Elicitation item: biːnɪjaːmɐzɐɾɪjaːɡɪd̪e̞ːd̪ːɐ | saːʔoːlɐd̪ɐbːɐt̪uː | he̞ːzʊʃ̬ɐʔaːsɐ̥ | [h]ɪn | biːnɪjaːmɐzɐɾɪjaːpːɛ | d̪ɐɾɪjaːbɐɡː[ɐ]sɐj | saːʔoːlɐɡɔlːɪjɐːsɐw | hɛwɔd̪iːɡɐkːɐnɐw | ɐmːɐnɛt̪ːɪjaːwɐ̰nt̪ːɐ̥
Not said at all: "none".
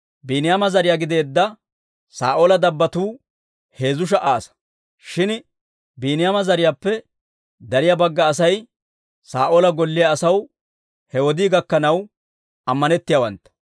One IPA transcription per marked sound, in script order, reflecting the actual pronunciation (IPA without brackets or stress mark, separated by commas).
ʃ, ɐː